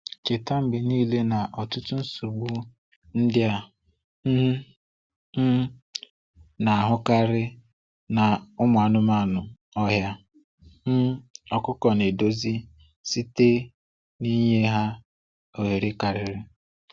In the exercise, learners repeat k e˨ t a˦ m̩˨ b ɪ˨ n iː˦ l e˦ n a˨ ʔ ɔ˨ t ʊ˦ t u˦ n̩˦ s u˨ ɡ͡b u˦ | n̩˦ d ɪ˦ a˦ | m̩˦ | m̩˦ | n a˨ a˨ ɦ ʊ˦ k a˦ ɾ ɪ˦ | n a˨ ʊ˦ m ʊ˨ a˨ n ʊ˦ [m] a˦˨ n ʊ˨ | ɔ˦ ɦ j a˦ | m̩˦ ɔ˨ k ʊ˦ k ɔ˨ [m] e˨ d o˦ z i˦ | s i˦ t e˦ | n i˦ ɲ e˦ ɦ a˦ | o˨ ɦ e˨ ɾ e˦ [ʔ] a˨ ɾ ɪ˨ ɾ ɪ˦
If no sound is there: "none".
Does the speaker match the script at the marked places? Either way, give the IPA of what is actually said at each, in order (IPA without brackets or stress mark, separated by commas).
m, n, k